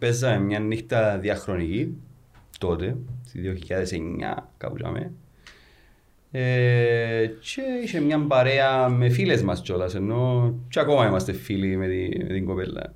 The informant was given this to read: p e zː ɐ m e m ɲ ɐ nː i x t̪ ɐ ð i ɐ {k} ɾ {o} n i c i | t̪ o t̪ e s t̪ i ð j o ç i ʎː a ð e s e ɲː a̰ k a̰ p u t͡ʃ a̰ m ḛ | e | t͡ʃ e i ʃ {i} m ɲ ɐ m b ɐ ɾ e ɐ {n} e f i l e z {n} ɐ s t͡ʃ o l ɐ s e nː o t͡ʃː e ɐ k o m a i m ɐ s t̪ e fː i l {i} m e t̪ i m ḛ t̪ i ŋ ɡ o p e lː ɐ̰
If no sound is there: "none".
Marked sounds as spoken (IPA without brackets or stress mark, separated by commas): x, o, e, m, m, i